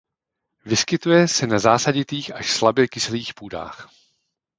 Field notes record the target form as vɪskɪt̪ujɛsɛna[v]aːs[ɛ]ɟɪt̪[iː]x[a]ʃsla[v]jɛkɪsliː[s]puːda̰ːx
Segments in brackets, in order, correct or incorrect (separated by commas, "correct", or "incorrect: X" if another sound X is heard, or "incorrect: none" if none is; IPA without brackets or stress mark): incorrect: z, incorrect: a, correct, correct, incorrect: b, incorrect: x